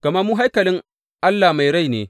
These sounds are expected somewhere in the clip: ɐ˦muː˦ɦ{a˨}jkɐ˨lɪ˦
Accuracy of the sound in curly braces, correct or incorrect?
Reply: incorrect: a˦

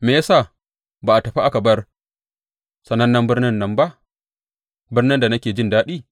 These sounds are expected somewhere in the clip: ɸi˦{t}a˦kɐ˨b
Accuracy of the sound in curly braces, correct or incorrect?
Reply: incorrect: ʔ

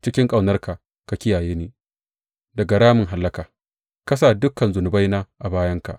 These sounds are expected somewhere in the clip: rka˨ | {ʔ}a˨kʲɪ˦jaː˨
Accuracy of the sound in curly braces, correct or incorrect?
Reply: incorrect: k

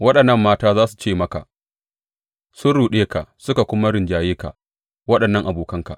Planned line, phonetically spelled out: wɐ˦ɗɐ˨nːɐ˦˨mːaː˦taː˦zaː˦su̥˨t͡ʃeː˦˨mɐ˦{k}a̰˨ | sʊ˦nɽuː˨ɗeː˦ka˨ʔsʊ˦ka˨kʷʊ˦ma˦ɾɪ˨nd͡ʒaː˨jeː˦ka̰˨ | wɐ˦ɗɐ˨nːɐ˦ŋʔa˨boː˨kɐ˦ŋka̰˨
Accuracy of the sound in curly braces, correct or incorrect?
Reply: correct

